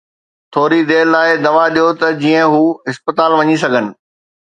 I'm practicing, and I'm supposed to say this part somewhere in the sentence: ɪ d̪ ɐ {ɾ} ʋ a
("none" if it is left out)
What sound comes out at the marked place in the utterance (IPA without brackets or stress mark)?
none